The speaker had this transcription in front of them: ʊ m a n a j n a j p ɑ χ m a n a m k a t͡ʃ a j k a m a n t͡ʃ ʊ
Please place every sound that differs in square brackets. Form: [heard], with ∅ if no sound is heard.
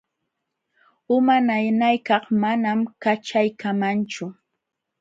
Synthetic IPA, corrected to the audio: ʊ m a n a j n a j [k] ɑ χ m a n a m k a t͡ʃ a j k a m a n t͡ʃ ʊ